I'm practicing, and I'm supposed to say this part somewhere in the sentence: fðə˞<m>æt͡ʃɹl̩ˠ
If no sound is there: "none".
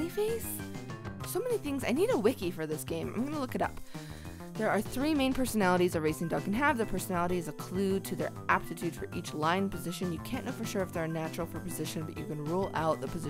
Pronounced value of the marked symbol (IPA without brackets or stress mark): n